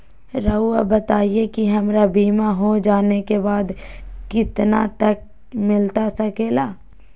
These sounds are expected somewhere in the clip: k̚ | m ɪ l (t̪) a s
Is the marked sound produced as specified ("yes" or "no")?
yes